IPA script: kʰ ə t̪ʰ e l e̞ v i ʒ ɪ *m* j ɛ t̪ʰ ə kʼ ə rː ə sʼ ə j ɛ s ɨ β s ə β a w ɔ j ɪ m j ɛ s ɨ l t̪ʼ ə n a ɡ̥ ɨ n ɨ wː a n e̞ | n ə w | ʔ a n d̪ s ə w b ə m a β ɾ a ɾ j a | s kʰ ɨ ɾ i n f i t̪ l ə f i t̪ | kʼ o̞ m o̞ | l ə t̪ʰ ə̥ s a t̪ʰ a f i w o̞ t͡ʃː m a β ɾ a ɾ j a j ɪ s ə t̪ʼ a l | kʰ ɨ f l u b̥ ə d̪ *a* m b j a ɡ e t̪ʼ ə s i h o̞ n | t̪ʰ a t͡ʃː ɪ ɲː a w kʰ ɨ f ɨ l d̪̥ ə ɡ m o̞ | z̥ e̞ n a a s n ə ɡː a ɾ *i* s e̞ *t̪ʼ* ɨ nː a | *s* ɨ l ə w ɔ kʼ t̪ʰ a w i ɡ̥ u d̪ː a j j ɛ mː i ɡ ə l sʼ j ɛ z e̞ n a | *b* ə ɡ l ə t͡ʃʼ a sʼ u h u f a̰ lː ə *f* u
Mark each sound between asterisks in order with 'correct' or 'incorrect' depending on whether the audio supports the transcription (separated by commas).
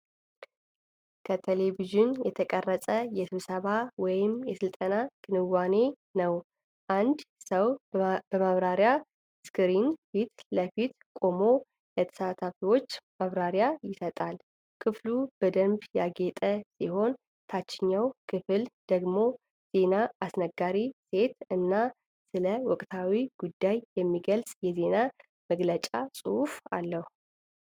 incorrect, incorrect, correct, incorrect, correct, incorrect, incorrect